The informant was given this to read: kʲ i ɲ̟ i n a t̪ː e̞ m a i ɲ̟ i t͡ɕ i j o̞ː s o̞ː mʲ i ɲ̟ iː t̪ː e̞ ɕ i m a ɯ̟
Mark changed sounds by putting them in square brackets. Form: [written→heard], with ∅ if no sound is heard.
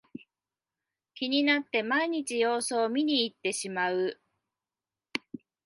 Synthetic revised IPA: kʲ i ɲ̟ i n a t̪ː e̞ m a i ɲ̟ i t͡ɕ i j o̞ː s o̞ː mʲ i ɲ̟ iː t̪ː e̞ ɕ i m a ɯ̟

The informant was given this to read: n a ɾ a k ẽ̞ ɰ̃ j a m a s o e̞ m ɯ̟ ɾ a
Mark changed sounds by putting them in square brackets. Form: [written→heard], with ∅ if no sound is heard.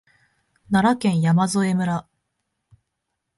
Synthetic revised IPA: n a ɾ a k ẽ̞ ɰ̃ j a m a [s→z] o e̞ m ɯ̟ ɾ a

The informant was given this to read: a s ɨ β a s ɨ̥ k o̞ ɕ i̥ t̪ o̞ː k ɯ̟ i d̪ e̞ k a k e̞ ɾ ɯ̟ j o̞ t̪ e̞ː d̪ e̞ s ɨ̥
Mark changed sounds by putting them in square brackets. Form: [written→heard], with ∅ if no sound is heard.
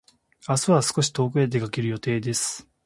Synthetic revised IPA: a s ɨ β a s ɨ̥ k o̞ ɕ i̥ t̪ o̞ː k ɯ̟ [i→e] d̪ e̞ k a k e̞ ɾ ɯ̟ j o̞ t̪ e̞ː d̪ e̞ s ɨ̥

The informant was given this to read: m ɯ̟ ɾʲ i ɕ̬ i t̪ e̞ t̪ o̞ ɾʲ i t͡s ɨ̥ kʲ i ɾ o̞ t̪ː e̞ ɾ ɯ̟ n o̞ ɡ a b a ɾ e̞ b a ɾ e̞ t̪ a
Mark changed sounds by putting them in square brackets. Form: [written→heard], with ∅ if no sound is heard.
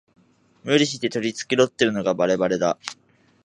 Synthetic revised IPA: m ɯ̟ ɾʲ i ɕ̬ i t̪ e̞ t̪ o̞ ɾʲ i t͡s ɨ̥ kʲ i ɾ o̞ t̪ː e̞ ɾ ɯ̟ n o̞ ɡ a b a ɾ e̞ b a ɾ e̞ [t̪→d̪] a

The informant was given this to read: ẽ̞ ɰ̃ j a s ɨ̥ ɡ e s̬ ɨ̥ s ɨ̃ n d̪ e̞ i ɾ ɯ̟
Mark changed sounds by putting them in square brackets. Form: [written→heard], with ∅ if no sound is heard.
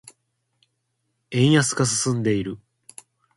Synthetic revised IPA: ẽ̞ ɰ̃ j a s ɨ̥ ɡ [e→a] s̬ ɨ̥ s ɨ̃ n d̪ e̞ i ɾ ɯ̟

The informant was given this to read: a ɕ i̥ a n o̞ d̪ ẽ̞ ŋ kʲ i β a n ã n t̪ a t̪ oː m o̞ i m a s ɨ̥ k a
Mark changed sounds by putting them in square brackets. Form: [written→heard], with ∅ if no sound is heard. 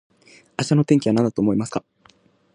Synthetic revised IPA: a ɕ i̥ a n o̞ [d̪→t̪] ẽ̞ ŋ kʲ i β a n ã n [t̪→d̪] a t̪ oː m o̞ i m a s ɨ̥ k a

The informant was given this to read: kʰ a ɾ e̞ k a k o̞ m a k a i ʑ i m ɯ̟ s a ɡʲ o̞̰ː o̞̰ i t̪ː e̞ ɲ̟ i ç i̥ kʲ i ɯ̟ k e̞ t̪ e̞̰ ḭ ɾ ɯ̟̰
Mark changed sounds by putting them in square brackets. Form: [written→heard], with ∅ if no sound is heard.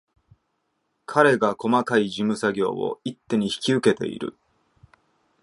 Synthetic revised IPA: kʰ a ɾ e̞ [k→ɡ] a k o̞ m a k a i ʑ i m ɯ̟ s a ɡʲ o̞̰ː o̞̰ i t̪ː e̞ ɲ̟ i ç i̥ kʲ i ɯ̟ k e̞ t̪ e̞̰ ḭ ɾ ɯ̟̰

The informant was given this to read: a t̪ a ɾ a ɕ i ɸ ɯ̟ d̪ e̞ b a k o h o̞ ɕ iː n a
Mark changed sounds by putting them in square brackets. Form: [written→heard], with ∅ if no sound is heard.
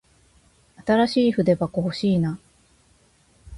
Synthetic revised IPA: a t̪ a ɾ a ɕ [i→iː] ɸ ɯ̟ d̪ e̞ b a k o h o̞ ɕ iː n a

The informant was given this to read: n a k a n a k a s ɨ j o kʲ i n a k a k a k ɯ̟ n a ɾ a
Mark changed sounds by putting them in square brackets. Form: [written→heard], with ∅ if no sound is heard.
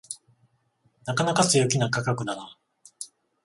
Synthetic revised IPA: n a k a n a k a s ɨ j o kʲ i n a k a k a k ɯ̟ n a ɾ a

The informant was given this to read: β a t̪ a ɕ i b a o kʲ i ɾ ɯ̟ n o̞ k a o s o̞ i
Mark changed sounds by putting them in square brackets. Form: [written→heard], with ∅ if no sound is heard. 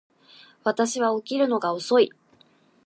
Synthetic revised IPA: β a t̪ a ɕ i [b→β] a o kʲ i ɾ ɯ̟ n o̞ [k→ɡ] a o s o̞ i

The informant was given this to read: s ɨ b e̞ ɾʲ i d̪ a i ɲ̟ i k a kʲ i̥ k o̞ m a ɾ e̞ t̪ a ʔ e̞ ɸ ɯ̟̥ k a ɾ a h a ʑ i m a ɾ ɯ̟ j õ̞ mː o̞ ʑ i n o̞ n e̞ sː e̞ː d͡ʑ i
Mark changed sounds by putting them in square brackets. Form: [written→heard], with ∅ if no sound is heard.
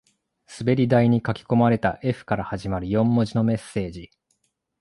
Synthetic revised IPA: s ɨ b e̞ ɾʲ i d̪ a i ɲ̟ i k a kʲ i̥ k o̞ m a ɾ e̞ t̪ a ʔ e̞ ɸ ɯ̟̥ k a ɾ a h a ʑ i m a ɾ ɯ̟ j õ̞ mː o̞ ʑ i n o̞ [n→m] e̞ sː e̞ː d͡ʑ i

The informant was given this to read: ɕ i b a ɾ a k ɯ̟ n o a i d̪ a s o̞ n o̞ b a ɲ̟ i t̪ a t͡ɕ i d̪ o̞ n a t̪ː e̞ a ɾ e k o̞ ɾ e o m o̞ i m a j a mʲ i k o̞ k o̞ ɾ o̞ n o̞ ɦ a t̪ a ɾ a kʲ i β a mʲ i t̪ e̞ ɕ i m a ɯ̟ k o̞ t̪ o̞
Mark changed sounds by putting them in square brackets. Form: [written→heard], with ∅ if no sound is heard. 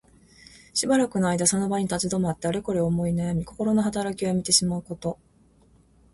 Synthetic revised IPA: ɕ i b a ɾ a k ɯ̟ n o a i d̪ a s o̞ n o̞ b a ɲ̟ i t̪ a t͡ɕ i d̪ o̞ [n→m] a t̪ː e̞ a ɾ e k o̞ ɾ e o m o̞ i [m→n] a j a mʲ i k o̞ k o̞ ɾ o̞ n o̞ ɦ a t̪ a ɾ a kʲ i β a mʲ i t̪ e̞ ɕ i m a ɯ̟ k o̞ t̪ o̞

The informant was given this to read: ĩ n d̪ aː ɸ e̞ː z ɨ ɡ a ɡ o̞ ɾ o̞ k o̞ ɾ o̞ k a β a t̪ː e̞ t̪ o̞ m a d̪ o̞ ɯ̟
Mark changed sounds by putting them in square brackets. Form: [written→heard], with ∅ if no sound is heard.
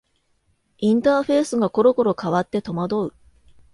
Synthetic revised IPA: ĩ n [d̪→t̪] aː ɸ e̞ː [z→s] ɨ ɡ a [ɡ→k] o̞ ɾ o̞ k o̞ ɾ o̞ k a β a t̪ː e̞ t̪ o̞ m a d̪ o̞ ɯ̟

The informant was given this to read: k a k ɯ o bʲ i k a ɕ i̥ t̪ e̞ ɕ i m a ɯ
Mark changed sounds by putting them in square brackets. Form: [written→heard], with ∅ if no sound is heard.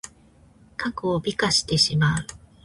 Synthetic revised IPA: k a k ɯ o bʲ i k a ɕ i̥ t̪ e̞ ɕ i m a ɯ

